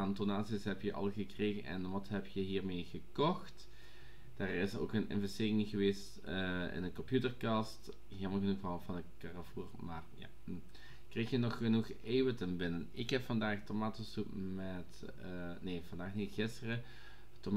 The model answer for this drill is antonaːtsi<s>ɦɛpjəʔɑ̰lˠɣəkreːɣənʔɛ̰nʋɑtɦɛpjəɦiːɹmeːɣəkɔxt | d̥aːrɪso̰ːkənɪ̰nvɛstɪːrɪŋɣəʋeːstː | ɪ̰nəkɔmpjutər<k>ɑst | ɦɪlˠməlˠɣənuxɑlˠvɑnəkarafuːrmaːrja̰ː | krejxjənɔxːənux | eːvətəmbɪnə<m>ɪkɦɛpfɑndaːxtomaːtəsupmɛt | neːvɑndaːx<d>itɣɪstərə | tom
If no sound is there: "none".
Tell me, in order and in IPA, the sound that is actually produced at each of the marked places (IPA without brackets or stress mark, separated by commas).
s, k, n, n